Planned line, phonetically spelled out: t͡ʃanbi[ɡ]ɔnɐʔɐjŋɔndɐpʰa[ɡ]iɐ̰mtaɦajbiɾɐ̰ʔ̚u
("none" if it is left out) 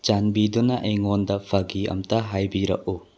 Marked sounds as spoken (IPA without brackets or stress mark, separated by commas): d, ɡ